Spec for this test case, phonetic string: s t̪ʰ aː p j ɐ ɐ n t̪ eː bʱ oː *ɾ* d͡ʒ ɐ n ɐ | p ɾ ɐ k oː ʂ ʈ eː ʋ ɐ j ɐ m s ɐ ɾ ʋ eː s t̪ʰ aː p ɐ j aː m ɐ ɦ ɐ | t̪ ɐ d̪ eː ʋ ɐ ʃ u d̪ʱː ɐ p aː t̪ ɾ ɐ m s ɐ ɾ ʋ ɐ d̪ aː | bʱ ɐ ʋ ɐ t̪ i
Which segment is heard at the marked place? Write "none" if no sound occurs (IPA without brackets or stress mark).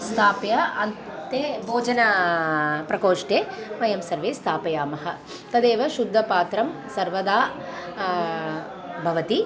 none